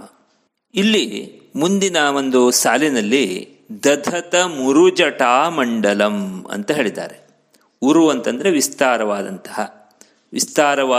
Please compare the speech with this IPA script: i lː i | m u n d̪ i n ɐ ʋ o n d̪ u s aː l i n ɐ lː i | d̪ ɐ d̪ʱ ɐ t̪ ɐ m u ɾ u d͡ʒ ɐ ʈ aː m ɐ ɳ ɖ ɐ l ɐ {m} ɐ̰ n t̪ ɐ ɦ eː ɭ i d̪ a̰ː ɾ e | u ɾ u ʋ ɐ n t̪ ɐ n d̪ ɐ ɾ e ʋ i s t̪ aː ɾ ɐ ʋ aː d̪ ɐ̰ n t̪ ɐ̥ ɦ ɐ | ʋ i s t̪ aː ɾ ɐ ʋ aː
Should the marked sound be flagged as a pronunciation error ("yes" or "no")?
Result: no